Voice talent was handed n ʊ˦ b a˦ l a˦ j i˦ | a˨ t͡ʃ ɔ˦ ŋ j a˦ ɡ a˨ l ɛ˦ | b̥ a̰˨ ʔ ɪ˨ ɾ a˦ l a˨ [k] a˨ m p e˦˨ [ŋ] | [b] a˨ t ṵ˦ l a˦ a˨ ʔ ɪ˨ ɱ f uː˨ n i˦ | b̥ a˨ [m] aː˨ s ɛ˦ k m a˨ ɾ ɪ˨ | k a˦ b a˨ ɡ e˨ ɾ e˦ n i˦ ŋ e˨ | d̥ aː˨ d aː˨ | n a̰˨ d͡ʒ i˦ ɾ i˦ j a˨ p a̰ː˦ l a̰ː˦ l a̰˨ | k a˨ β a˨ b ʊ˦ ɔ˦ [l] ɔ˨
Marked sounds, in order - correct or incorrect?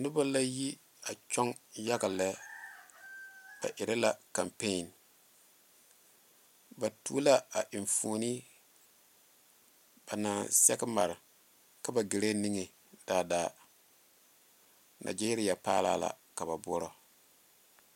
correct, incorrect, correct, incorrect, incorrect

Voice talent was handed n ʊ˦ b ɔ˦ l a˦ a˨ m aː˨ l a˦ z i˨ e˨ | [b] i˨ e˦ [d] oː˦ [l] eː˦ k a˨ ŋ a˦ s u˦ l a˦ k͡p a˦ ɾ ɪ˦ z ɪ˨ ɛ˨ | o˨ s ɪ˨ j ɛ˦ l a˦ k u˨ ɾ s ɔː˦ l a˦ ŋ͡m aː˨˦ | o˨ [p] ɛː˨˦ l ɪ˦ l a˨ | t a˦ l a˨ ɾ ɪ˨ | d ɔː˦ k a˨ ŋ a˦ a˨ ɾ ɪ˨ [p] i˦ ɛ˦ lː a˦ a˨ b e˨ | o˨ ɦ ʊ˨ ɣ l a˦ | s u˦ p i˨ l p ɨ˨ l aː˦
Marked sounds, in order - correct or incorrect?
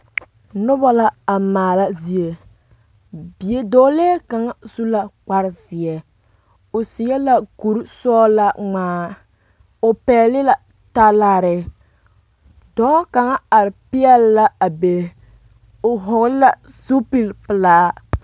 correct, correct, correct, correct, correct

